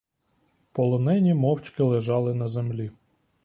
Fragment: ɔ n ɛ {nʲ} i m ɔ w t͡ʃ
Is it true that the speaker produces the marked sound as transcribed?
yes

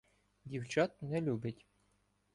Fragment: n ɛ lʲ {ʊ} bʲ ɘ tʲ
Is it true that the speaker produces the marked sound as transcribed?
no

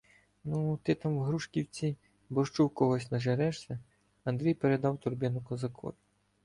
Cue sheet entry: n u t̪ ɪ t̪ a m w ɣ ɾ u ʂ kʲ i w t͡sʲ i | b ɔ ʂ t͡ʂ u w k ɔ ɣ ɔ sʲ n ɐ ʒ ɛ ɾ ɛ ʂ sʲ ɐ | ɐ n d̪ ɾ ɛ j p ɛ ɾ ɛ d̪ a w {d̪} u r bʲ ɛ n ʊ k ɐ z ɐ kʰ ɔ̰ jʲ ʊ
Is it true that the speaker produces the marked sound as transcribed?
no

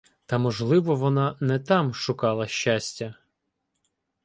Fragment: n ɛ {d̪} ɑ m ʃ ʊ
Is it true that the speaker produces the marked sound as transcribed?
no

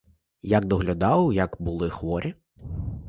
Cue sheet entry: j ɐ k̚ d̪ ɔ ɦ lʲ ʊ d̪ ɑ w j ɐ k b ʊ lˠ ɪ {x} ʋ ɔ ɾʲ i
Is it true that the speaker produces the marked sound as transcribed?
yes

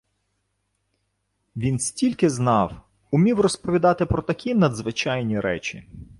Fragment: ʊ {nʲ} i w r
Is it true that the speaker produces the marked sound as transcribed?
no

